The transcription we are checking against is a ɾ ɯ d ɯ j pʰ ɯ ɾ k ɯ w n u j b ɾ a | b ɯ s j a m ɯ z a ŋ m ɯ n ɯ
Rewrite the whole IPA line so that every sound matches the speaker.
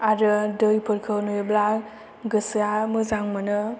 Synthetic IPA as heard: a ɾ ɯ d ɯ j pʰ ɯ ɾ kʰ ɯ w n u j b l a | ɡ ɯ s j a m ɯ z a ŋ m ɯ n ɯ